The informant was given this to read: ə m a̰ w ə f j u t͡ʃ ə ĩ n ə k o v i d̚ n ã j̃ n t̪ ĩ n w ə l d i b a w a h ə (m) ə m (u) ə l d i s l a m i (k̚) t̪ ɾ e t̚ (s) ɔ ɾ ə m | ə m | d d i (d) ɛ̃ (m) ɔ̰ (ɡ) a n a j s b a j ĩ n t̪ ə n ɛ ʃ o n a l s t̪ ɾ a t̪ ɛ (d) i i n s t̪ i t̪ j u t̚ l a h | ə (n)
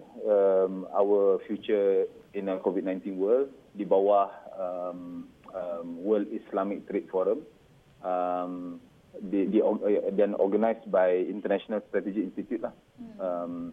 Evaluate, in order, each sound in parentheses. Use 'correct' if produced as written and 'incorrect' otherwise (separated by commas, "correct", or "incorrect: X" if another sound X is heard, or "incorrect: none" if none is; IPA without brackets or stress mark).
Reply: correct, incorrect: w, correct, incorrect: f, correct, incorrect: n, correct, incorrect: d͡ʒ, incorrect: m